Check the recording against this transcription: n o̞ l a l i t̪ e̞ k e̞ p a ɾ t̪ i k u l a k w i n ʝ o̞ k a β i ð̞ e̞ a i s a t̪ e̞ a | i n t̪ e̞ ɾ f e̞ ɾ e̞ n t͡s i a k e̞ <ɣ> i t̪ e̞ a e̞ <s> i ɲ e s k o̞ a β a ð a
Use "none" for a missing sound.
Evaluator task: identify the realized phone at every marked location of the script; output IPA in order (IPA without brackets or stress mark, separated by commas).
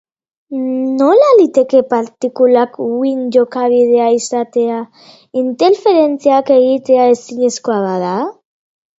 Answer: ɣ, s